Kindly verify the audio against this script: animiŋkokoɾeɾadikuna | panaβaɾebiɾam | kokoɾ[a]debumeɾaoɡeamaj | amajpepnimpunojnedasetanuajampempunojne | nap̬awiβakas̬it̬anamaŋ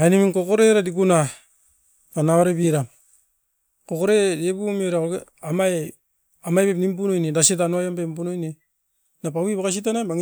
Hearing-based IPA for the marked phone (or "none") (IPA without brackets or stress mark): e